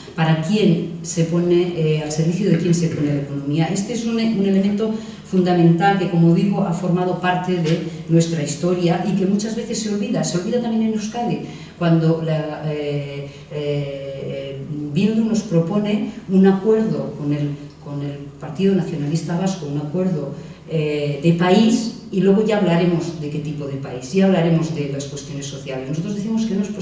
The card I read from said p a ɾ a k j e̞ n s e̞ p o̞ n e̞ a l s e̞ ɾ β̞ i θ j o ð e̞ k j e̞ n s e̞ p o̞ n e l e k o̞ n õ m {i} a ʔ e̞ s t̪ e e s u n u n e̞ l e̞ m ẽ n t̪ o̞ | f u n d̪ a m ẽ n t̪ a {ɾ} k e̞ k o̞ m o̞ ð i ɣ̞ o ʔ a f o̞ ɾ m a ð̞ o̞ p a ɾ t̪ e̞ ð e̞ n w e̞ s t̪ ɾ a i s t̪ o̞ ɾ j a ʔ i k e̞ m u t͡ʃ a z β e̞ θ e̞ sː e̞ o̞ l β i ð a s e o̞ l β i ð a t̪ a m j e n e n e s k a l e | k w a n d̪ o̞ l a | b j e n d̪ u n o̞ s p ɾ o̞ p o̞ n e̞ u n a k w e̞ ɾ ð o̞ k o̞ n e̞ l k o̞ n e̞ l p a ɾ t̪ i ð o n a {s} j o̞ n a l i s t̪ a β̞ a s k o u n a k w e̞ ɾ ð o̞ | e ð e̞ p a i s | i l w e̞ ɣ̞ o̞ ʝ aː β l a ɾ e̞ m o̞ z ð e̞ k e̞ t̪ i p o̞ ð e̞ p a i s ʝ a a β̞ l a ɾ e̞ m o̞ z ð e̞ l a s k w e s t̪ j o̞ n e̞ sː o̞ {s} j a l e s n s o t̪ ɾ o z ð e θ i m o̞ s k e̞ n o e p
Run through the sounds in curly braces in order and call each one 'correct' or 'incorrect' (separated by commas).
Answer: correct, incorrect, incorrect, incorrect